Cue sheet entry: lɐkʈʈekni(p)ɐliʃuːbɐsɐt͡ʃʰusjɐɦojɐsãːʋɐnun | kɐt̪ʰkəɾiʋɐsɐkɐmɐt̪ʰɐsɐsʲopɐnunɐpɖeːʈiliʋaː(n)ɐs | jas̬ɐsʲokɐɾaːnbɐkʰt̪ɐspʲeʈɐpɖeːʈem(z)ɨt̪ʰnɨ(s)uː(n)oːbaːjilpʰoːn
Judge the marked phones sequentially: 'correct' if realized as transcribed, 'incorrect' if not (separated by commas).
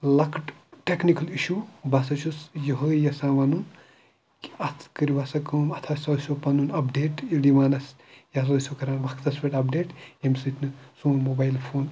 incorrect, correct, incorrect, correct, incorrect